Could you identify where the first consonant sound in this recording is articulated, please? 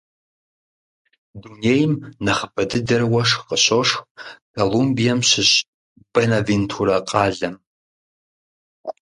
alveolar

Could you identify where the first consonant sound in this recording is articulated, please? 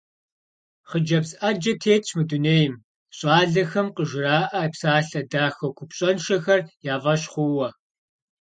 uvular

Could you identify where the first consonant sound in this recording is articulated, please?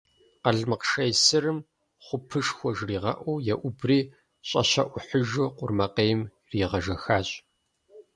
uvular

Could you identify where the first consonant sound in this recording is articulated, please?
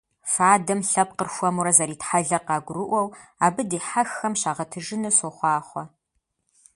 labial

